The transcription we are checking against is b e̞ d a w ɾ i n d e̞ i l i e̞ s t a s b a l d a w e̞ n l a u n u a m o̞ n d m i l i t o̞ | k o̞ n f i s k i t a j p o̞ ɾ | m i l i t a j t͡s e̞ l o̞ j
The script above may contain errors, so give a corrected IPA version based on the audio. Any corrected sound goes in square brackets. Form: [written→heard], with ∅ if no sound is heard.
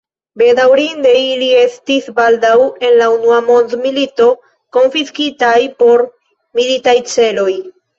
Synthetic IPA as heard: b e̞ d a w ɾ i n d e̞ i l i e̞ s t [a→i] s b a l d a w e̞ n l a u n u a m o̞ n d m i l i t o̞ | k o̞ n f i s k i t a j p o̞ ɾ | m i l i t a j t͡s e̞ l o̞ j